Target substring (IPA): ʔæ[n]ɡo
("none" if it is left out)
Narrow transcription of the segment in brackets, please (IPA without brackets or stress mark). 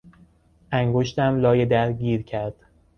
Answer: ŋ